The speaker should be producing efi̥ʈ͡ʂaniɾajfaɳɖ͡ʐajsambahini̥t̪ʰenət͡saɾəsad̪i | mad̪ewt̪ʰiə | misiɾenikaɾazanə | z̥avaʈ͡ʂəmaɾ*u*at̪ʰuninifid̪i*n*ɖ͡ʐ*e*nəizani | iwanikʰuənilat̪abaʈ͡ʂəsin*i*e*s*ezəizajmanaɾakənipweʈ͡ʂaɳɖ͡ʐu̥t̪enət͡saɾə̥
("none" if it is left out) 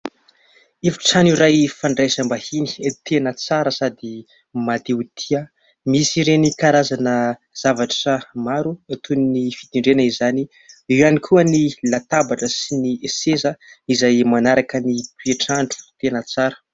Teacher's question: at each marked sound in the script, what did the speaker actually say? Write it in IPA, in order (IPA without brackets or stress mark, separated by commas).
u, ɳ, e, i, s